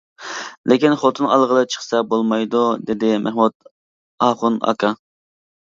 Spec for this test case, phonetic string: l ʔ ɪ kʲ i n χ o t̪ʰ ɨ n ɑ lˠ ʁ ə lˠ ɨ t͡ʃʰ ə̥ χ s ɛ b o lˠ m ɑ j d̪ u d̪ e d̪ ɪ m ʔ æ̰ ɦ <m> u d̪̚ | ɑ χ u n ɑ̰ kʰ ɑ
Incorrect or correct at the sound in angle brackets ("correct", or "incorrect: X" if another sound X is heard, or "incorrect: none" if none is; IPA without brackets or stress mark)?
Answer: correct